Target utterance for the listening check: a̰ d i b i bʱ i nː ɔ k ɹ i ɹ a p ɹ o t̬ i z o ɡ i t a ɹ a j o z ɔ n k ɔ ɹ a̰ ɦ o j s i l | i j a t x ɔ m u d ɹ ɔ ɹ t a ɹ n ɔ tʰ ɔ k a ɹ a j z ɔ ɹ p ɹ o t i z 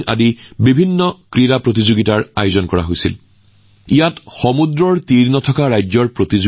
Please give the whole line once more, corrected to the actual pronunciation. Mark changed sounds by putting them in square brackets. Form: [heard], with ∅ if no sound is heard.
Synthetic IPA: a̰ d i b i bʱ i nː ɔ k ɹ i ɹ a p ɹ o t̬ i z o ɡ i t a ɹ a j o z ɔ n k ɔ ɹ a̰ ɦ o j s i l | i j a t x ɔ m u d ɹ ɔ ɹ t [i] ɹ n ɔ tʰ ɔ k a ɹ a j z ɔ ɹ p ɹ o t i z